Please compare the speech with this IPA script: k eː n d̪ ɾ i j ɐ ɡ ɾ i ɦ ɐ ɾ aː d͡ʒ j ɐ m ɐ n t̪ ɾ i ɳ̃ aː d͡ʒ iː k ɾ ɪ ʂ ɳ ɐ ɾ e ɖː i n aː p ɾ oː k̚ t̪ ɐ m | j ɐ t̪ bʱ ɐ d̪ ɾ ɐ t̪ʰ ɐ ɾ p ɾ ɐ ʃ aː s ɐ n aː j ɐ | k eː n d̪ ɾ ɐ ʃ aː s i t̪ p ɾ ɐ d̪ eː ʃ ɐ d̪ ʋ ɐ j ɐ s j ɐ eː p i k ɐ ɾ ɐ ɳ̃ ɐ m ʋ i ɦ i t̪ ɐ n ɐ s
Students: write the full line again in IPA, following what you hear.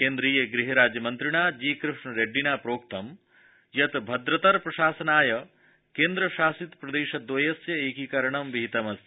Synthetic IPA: k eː n d̪ ɾ i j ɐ ɡ ɾ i ɦ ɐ ɾ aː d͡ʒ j ɐ m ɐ n t̪ ɾ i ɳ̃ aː d͡ʒ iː k ɾ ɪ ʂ ɳ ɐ ɾ e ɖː i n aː p ɾ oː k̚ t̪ ɐ m | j ɐ t̪ bʱ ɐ d̪ ɾ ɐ t̪ ɐ ɾ p ɾ ɐ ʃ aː s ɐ n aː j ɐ | k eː n d̪ ɾ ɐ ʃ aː s i t̪ p ɾ ɐ d̪ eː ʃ ɐ d̪ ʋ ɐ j ɐ s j ɐ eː k i k ɐ ɾ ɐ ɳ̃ ɐ m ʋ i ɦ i t̪ ɐ m ɐ s